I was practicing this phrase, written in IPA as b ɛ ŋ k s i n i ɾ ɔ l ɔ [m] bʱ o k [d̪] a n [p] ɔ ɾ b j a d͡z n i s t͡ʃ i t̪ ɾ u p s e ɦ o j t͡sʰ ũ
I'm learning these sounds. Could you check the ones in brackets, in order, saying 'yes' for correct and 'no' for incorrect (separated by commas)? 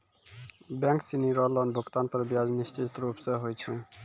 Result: no, no, yes